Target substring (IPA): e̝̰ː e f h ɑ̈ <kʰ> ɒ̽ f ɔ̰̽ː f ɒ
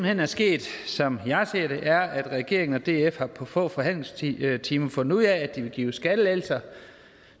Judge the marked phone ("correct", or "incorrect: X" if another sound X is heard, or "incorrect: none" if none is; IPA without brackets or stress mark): incorrect: pʰ